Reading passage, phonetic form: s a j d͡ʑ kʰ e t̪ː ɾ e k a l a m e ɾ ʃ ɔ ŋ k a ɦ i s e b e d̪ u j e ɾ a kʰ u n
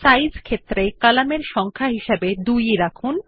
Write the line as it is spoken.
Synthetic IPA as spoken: s a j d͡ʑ kʰ e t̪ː ɾ e k a l a m e ɾ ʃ ɔ ŋ kʰ a ɦ i ʃ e b e d̪ u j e ɾ a kʰ u n